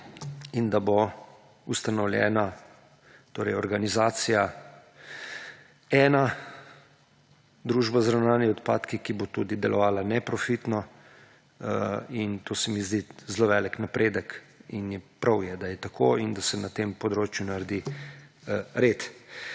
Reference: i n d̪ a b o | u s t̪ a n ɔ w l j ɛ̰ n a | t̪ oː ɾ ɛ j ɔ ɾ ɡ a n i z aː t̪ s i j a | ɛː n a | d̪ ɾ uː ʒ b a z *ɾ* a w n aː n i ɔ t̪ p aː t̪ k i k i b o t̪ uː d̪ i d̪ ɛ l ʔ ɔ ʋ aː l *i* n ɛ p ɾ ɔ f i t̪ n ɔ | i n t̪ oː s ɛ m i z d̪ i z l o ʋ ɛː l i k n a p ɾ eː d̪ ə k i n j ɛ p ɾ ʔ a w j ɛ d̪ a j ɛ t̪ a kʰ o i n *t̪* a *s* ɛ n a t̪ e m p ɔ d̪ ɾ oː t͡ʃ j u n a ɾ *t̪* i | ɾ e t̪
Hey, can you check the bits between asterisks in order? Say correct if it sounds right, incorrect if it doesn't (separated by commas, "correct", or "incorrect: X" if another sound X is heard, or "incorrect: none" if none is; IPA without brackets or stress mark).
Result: correct, incorrect: a, incorrect: d̪, correct, incorrect: d̪